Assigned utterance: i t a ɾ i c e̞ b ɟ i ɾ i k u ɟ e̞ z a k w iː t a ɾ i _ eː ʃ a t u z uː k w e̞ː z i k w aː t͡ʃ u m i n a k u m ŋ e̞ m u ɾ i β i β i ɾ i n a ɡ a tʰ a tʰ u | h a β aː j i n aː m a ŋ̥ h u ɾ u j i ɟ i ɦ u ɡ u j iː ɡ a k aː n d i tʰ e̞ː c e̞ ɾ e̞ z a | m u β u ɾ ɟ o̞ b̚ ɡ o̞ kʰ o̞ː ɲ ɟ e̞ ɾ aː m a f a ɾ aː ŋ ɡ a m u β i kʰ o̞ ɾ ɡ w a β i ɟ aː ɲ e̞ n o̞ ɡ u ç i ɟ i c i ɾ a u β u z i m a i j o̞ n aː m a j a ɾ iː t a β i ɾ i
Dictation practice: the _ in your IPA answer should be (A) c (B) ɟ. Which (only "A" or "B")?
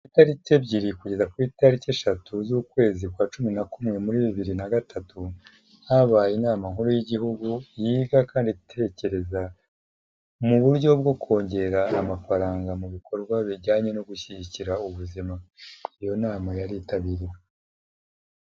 A